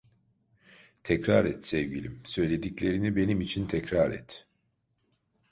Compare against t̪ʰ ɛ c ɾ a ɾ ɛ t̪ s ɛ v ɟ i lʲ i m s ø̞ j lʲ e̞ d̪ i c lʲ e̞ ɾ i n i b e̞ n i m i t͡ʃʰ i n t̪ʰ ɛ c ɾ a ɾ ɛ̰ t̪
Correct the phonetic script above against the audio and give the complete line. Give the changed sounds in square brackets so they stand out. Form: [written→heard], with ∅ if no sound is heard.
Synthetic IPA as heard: t̪ʰ ɛ c ɾ a ɾ ɛ t̪ s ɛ v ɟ i lʲ i m s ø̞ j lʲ e̞ d̪ i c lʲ e̞ ɾ i n i b e̞ n i m i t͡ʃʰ i n t̪ʰ ɛ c ɾ a ɾ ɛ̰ t̪